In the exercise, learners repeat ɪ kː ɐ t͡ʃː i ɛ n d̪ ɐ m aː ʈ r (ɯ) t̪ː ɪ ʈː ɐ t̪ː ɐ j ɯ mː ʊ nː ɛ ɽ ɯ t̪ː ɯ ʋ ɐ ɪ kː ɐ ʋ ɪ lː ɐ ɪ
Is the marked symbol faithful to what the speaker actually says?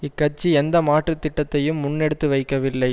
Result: yes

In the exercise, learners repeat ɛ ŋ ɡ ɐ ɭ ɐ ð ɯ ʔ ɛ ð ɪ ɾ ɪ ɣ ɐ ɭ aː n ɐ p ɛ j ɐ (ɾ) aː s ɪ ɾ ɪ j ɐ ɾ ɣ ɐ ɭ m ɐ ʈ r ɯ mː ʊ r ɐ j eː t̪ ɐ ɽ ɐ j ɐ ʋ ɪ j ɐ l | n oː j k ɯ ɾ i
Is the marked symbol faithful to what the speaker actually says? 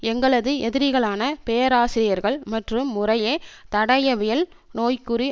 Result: yes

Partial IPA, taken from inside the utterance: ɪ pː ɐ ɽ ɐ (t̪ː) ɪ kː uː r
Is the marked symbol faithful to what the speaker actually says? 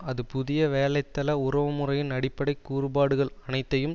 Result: no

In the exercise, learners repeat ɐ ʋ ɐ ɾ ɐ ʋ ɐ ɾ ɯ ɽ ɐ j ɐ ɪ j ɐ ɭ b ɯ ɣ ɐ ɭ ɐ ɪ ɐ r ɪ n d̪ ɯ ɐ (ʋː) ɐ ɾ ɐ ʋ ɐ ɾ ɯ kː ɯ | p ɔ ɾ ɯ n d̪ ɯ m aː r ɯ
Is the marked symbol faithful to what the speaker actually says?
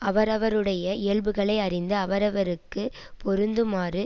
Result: no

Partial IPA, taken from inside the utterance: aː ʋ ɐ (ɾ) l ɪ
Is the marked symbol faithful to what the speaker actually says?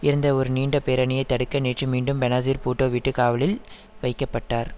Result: no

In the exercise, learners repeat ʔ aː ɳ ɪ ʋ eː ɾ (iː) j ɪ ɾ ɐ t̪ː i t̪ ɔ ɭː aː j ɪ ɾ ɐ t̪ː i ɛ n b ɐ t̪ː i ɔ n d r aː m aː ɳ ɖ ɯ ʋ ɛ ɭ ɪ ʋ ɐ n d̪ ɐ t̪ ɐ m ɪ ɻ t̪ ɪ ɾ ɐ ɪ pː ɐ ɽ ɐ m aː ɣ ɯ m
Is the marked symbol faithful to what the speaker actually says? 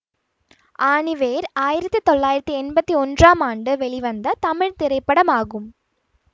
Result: no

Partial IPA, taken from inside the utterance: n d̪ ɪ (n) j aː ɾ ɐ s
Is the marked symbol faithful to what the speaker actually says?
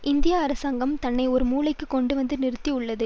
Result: no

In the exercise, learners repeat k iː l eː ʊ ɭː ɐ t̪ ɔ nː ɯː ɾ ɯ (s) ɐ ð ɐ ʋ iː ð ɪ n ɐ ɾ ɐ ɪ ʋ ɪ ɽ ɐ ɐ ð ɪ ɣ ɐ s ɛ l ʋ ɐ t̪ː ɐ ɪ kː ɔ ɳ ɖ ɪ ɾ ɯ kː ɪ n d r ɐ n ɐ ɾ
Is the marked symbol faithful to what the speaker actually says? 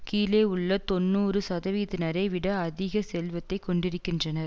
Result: yes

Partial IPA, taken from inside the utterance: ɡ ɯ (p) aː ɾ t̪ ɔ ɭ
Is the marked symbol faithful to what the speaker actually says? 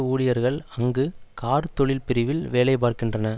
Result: no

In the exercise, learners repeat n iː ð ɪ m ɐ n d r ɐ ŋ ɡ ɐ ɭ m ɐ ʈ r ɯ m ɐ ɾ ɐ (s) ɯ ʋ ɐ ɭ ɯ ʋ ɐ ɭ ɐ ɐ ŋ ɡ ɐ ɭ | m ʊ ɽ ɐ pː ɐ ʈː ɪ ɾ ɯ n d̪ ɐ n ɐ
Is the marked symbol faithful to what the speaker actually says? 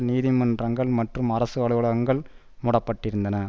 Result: yes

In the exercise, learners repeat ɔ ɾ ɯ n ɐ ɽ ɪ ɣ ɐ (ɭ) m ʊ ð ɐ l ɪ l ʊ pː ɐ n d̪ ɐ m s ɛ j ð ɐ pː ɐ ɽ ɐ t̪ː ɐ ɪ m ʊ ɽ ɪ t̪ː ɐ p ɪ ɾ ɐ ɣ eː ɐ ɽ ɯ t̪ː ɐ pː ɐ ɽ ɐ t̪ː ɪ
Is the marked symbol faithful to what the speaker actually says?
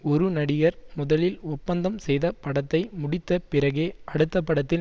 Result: no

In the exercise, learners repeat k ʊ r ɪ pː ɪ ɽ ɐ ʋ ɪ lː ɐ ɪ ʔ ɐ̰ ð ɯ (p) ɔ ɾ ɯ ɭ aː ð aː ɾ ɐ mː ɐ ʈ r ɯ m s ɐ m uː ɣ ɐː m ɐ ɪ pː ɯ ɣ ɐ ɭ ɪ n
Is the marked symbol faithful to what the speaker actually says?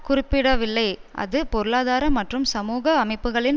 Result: yes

